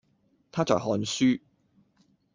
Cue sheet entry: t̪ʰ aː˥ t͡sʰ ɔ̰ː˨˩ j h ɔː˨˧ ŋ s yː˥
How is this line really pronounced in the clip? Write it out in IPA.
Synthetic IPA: t̪ʰ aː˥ t͡s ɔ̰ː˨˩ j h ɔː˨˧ n s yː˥

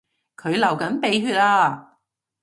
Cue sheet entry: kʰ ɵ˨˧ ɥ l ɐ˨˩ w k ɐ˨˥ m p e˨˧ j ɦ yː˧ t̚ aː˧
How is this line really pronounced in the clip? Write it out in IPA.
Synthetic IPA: kʰ ɵ˨˧ ɥ l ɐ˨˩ w k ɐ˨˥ n p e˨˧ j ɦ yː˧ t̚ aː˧

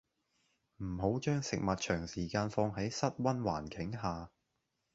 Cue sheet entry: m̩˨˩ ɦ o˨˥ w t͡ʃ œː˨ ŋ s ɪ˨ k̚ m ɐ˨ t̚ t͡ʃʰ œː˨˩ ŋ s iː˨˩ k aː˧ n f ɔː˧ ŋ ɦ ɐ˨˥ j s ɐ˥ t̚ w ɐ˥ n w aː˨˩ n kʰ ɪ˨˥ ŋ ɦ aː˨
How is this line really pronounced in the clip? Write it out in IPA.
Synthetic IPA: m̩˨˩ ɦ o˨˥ w t͡ʃ œː˥ ŋ s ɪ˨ k̚ m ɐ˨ t̚ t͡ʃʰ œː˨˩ ŋ s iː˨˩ k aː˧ n f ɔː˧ ŋ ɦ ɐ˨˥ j s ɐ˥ t̚ w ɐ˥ n w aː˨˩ n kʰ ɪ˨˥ ŋ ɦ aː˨

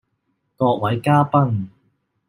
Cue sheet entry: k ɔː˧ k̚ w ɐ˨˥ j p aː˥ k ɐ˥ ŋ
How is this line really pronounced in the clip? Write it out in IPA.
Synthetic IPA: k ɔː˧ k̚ w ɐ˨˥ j k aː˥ p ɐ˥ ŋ

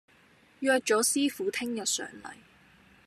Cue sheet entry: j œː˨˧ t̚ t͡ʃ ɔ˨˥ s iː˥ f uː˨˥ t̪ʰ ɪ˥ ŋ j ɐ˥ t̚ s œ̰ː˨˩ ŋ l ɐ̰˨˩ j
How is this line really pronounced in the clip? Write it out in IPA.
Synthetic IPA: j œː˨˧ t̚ t͡ʃ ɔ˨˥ s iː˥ f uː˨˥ t̪ʰ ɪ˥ ŋ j ɐ˨ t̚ s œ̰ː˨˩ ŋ l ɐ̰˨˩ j

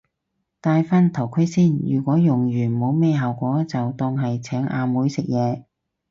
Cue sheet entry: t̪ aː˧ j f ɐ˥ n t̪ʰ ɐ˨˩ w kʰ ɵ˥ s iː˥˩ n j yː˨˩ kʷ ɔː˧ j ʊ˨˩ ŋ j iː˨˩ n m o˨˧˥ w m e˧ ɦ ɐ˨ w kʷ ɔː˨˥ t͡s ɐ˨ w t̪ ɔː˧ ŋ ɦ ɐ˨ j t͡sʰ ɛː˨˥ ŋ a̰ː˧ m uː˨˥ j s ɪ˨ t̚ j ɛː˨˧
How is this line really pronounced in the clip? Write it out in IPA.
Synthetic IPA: t̪ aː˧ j f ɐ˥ n t̪ʰ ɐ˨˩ w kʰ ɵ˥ s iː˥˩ n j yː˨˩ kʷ ɔː˨˥ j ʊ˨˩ ŋ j yː˨˩ n m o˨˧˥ w m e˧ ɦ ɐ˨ w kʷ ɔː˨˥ t͡s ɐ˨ w t̪ ɔː˧ ŋ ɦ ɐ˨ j t͡sʰ ɛː˨˥ ŋ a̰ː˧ m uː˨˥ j s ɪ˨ k̚ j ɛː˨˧

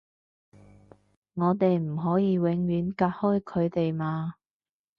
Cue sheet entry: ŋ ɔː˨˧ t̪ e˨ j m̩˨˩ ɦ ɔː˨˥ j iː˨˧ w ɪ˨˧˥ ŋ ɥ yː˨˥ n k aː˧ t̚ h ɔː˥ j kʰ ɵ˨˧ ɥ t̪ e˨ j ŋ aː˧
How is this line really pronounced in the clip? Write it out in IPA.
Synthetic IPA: ŋ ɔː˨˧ t̪ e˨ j m̩˨˩ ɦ ɔː˨˥ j iː˨˧ w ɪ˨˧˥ ŋ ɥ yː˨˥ n k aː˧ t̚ h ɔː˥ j kʰ ɵ˨˧ ɥ t̪ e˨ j m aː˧

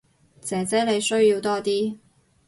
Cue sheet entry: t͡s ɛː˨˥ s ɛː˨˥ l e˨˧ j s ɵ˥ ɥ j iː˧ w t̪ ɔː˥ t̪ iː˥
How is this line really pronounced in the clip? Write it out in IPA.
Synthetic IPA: t͡s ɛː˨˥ t͡s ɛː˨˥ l e˨˧ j s ɵ˥ ɥ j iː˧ w t̪ ɔː˥ t̪ iː˥

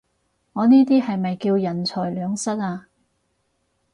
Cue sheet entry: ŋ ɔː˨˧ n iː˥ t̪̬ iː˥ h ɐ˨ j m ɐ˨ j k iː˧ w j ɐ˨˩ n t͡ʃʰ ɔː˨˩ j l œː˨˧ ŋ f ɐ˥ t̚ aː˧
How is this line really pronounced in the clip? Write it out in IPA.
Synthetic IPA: ŋ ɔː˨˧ n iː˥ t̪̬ iː˥ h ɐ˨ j m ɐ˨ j k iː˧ w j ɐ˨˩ n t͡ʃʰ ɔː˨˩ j l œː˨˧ ŋ s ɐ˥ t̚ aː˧

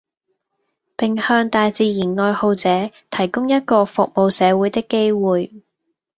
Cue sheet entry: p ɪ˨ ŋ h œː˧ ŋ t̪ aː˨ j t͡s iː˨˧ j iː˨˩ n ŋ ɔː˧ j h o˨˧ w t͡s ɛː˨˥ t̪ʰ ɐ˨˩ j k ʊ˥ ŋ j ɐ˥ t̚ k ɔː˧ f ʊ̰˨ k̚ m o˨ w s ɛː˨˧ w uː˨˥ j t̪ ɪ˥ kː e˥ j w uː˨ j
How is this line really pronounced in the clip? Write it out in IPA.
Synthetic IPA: p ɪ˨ ŋ h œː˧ ŋ t̪ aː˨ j t͡s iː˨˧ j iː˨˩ n ŋ ɔː˧ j h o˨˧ w t͡s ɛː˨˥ t̪ʰ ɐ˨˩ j k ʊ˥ ŋ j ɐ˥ t̚ k ɔː˧ f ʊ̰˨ k̚ m o˨ w s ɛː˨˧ w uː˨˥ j t̪ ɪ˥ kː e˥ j w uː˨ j

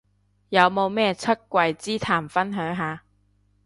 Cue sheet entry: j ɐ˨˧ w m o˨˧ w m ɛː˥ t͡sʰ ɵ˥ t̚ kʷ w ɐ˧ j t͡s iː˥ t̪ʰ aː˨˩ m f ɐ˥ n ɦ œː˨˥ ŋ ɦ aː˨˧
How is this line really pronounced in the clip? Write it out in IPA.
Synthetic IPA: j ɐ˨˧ w m o˨˧ w m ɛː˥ t͡sʰ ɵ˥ t̚ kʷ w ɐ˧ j t͡s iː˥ t̪ʰ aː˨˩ m f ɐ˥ n ɦ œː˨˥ ŋ ɦ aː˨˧

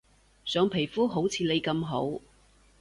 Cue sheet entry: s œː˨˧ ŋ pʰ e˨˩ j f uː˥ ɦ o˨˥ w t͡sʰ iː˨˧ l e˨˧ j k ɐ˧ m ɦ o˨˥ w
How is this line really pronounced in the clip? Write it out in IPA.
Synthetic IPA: s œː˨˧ ŋ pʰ e˨˩ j f uː˥ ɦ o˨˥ w t͡sʰ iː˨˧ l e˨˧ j k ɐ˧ m ɦ o˨˥ w

